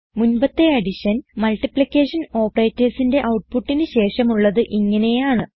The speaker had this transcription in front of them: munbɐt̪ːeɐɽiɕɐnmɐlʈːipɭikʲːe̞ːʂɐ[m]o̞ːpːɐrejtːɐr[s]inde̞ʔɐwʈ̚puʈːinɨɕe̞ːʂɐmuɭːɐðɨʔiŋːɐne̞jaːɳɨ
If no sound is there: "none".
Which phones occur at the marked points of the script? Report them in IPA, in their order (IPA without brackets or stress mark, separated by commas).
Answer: n, s